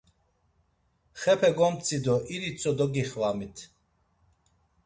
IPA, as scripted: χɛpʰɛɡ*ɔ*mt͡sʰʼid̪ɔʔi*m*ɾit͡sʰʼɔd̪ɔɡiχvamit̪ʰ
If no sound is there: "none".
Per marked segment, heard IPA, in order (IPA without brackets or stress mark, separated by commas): ɔ, none